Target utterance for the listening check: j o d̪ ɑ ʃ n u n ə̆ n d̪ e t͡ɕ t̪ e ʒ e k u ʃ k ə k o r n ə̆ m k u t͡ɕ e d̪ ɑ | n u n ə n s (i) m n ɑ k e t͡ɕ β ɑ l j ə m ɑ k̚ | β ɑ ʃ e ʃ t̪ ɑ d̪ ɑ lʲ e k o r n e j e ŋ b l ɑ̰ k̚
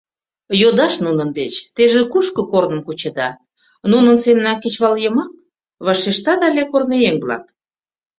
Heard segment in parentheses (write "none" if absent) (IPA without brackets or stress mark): e